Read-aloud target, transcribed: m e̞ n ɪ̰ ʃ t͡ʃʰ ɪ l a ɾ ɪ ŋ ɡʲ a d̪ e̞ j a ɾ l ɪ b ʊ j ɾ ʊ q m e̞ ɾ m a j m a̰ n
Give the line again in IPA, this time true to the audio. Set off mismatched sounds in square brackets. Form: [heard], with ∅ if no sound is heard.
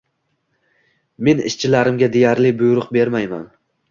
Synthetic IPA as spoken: m e̞ n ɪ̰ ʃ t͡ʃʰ ɪ l a ɾ ɪ [m] ɡʲ a d̪ e̞ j a ɾ l ɪ b ʊ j ɾ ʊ q [b] e̞ ɾ m a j m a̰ n